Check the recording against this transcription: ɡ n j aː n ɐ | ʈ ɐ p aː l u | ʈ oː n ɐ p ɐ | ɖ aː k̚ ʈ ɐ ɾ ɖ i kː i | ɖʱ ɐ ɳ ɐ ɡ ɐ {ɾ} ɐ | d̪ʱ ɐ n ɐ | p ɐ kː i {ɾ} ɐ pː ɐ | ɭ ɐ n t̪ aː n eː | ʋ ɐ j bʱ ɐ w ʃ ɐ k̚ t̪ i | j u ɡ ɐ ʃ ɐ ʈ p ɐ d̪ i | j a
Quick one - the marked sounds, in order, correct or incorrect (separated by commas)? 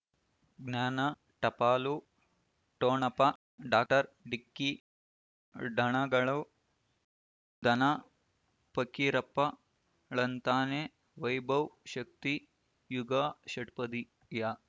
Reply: incorrect, correct